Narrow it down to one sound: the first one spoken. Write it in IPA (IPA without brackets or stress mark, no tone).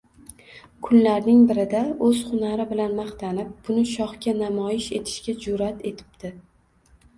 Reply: kʰ